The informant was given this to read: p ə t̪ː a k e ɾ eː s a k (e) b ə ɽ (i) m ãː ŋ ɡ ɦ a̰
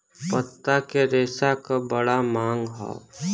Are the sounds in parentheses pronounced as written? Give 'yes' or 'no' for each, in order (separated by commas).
no, no